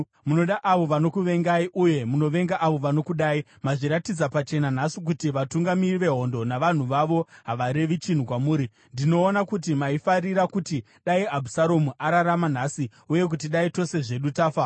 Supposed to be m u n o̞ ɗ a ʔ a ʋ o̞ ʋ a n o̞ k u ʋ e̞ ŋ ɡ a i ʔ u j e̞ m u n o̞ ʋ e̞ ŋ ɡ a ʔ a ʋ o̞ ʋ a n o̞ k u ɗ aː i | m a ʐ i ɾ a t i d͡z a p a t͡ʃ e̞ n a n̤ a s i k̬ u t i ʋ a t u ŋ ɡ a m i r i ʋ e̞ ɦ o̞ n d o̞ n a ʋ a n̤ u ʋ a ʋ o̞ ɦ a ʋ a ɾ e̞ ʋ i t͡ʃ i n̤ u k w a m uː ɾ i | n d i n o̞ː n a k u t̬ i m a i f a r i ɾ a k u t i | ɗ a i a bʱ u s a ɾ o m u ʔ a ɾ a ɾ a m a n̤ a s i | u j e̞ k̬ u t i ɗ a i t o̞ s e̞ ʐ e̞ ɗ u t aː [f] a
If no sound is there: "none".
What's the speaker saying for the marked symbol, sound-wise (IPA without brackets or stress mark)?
f